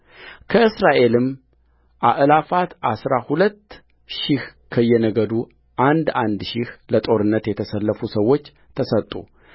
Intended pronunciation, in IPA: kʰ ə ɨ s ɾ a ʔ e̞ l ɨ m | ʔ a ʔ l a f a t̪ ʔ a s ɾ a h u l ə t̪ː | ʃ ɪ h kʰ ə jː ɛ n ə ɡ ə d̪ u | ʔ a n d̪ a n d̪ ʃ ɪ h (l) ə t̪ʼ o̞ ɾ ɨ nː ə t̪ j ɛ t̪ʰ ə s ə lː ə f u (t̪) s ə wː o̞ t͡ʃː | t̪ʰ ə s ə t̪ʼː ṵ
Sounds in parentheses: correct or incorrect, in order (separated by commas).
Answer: correct, incorrect